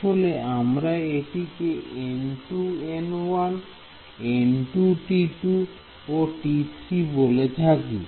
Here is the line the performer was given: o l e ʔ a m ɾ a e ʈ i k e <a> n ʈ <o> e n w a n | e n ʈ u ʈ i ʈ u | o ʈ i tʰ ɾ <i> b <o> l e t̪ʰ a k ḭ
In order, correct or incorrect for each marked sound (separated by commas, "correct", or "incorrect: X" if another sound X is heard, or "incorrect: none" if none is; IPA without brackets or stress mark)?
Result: incorrect: e, incorrect: u, correct, correct